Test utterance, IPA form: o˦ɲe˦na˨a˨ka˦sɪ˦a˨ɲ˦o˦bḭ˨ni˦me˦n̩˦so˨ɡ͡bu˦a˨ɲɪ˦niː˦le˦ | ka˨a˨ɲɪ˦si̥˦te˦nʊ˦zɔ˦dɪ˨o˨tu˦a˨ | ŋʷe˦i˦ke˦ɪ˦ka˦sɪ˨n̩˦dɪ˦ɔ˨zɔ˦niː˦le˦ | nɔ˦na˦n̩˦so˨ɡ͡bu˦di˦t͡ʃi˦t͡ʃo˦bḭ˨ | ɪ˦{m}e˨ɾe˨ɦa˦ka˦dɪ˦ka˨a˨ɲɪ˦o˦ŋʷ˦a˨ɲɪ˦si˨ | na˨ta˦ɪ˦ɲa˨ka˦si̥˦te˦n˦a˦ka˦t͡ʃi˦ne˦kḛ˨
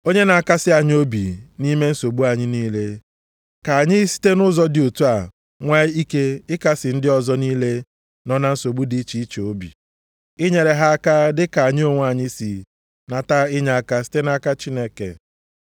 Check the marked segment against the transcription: incorrect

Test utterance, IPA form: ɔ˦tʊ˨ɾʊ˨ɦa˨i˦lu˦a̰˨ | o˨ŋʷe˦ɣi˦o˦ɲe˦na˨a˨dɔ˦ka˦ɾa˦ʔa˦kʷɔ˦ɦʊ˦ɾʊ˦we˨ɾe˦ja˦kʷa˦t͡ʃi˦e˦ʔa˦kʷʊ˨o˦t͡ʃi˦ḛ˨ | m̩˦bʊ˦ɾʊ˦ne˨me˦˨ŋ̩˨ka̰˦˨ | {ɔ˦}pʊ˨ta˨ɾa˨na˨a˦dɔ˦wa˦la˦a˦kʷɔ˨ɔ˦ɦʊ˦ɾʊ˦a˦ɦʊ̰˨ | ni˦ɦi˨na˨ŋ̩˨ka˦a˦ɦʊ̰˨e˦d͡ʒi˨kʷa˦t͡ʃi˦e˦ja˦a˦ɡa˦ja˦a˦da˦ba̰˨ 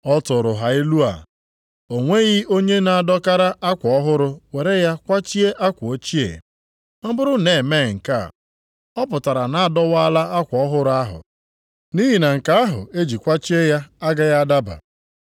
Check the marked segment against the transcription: correct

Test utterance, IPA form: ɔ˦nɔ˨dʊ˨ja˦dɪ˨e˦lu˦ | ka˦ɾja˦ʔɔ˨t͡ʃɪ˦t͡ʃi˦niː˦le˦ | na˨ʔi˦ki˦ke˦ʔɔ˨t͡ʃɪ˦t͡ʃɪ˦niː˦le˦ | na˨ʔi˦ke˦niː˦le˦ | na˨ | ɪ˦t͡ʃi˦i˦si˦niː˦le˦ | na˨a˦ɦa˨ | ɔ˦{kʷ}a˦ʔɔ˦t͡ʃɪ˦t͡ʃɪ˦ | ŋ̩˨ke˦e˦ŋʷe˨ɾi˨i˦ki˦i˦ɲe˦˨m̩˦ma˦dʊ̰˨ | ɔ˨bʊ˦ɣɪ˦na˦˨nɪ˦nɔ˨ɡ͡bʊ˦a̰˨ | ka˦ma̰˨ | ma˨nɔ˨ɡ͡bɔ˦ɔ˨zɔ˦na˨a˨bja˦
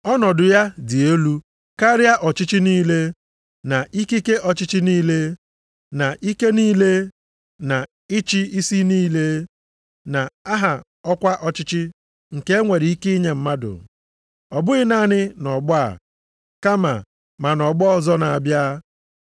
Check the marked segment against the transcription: correct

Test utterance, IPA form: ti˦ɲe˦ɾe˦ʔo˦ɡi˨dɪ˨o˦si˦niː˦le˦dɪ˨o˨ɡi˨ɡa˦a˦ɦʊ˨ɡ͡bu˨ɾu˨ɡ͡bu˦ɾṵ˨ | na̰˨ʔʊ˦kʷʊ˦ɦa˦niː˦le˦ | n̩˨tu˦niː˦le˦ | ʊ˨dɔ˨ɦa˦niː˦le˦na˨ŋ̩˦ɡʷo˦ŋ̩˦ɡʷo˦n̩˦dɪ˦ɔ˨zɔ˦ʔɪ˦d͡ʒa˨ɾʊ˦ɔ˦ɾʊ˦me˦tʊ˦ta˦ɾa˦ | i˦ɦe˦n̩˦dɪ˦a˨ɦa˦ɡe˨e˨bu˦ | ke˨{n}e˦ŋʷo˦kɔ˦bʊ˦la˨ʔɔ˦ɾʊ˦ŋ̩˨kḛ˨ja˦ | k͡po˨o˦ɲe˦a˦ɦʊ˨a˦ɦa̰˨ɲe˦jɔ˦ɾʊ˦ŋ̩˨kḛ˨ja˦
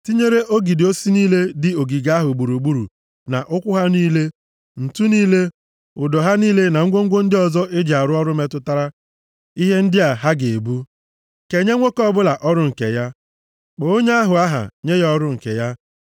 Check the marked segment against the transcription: incorrect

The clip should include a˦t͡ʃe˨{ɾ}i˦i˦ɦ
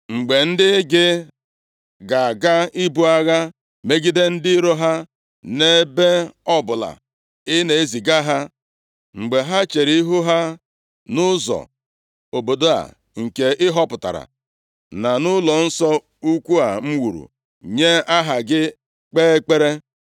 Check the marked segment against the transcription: correct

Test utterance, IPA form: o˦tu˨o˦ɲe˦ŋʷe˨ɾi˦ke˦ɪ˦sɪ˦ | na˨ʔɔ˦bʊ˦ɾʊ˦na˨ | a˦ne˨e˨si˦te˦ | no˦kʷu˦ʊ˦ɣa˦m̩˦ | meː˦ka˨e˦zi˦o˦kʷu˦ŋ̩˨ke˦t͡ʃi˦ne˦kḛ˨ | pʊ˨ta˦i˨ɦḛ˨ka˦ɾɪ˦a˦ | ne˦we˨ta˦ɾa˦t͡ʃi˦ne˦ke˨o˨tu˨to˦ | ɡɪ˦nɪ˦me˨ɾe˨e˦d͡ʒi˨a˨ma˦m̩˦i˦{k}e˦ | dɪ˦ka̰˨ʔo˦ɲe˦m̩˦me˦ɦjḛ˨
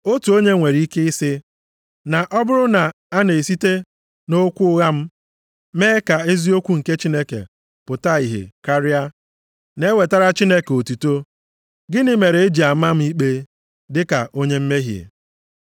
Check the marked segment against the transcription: incorrect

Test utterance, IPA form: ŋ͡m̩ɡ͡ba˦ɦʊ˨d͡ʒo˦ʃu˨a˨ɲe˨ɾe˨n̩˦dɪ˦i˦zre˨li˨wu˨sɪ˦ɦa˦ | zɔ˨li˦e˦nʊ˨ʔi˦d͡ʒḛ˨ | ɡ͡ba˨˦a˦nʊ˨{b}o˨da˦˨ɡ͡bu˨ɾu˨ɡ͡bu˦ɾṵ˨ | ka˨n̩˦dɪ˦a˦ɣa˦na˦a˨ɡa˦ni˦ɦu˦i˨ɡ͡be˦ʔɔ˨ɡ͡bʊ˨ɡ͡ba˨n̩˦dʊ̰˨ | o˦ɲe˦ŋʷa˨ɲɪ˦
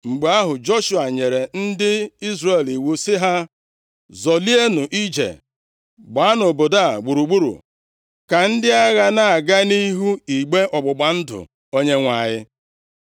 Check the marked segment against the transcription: correct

